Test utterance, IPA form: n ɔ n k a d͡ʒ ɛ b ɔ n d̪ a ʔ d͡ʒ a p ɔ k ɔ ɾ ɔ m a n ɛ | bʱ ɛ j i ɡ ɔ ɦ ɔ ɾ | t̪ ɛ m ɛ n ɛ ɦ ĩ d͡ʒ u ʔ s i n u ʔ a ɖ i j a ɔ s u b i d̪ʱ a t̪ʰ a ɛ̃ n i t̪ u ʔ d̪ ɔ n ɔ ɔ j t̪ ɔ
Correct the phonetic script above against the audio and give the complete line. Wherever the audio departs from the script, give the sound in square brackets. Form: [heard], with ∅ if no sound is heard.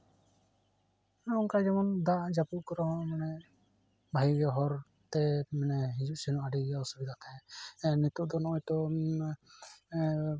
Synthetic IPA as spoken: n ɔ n k a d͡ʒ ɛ [m] ɔ n d̪ a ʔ d͡ʒ a p [u] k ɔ ɾ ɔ m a n ɛ | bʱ [a] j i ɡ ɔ ɦ ɔ ɾ | t̪ ɛ m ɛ n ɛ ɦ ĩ d͡ʒ u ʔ s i n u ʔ a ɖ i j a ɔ s u b i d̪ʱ a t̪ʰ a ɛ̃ n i t̪ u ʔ d̪ ɔ n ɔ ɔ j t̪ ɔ

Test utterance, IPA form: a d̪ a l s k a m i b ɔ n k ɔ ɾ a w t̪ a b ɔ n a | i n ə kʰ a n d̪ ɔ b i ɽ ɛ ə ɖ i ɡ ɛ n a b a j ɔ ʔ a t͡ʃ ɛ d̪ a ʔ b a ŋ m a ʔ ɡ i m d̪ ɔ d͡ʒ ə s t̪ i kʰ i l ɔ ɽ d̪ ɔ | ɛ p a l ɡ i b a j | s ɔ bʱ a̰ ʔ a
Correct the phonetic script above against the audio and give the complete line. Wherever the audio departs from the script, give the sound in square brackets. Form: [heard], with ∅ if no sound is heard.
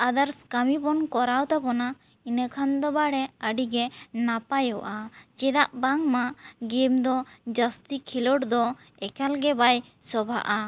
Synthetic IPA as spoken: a d̪ a [ɾ] s k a m i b ɔ n k ɔ ɾ a w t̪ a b ɔ n a | i n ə kʰ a n d̪ ɔ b [a] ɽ ɛ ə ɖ i ɡ ɛ n a [p] a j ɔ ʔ a t͡ʃ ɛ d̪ a ʔ b a ŋ m a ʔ ɡ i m d̪ ɔ d͡ʒ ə s t̪ i kʰ i l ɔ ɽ d̪ ɔ | ɛ [k] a l ɡ [ɛ] b a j | s ɔ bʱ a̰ ʔ a

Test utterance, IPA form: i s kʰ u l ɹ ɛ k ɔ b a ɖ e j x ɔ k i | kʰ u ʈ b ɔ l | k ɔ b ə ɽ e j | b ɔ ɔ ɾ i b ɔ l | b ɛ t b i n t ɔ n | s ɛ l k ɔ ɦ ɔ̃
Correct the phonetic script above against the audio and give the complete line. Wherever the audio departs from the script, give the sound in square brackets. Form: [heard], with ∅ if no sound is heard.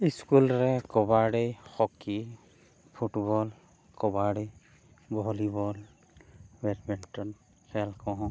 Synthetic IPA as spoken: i s [k] u l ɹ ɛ k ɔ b a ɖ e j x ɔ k i | [pʰ] u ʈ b ɔ l | k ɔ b [a] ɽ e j | b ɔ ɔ [l] i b ɔ l | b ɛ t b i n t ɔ n | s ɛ l k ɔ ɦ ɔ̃

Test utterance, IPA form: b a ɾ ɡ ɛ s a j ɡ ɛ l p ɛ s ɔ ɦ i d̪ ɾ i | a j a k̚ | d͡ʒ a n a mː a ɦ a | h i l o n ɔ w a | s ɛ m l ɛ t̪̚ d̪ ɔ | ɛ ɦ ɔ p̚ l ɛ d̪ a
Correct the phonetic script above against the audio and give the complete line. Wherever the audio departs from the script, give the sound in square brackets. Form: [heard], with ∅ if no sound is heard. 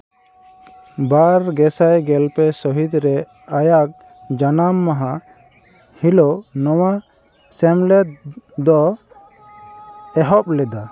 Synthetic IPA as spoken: b a ɾ ɡ ɛ s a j ɡ ɛ l p ɛ s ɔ ɦ i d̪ ɾ [ɛ] | a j a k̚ | d͡ʒ a n a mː a ɦ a | h i l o n ɔ w a | s ɛ m l ɛ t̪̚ d̪ ɔ | ɛ ɦ ɔ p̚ l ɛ d̪ a

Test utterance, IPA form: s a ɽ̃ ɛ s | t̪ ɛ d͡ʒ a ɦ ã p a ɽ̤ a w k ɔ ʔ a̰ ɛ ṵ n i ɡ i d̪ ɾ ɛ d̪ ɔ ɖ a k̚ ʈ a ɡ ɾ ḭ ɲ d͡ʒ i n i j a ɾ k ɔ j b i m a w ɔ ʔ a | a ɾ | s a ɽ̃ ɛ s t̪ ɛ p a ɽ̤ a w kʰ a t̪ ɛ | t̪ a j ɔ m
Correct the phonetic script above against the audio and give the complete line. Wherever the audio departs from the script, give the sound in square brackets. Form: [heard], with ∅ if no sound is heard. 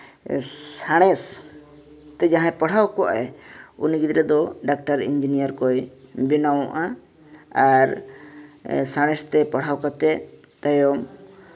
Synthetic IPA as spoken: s a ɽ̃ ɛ s | t̪ ɛ d͡ʒ a ɦ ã p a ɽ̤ a w k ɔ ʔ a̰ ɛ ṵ n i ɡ i d̪ ɾ ɛ d̪ ɔ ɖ a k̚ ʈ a [∅] ɾ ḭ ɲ d͡ʒ i n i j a ɾ k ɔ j b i [n] a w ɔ ʔ a | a ɾ | s a ɽ̃ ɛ s t̪ ɛ p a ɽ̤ a w [k] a t̪ ɛ | t̪ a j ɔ m

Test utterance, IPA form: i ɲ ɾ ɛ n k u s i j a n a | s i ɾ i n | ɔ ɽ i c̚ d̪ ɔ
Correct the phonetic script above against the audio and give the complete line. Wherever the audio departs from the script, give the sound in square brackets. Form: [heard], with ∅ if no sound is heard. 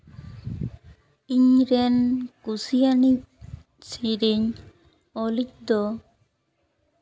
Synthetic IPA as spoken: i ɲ ɾ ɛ n k u s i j a n [i] | s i ɾ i [ɲ] | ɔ [l] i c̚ d̪ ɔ

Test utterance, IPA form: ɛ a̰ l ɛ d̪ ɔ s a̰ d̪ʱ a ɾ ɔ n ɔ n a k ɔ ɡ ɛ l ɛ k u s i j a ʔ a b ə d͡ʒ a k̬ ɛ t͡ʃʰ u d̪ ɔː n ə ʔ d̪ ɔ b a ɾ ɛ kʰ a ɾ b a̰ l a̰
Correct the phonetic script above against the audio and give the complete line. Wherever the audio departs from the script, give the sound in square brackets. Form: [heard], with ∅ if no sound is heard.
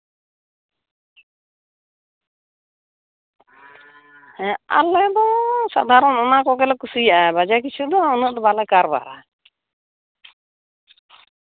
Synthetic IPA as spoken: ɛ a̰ l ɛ d̪ ɔ s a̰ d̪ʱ a ɾ ɔ n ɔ n a k ɔ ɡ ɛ l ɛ k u s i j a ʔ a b [a] d͡ʒ a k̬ [i] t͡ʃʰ u d̪ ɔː n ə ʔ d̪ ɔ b a [l] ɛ [k] a ɾ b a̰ [ɾ] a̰

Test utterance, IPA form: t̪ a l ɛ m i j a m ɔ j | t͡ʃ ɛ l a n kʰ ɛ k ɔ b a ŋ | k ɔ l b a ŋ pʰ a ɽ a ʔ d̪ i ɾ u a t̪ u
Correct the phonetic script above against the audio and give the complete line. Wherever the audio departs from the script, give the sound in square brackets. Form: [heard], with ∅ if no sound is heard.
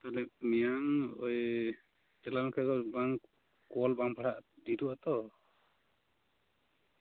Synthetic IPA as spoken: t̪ a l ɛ m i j a [ŋ] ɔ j | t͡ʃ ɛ l a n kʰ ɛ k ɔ b a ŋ | k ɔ l b a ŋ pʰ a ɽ a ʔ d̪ i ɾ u a t̪ [ɔ]

